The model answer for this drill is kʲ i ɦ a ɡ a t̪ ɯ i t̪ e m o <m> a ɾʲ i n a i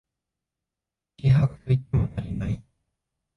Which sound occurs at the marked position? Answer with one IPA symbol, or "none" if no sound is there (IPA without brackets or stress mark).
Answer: n